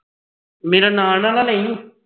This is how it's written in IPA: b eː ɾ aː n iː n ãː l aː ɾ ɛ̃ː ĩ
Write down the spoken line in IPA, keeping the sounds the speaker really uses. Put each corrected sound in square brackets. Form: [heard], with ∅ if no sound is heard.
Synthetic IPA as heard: [m] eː ɾ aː n [aː] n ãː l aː [l] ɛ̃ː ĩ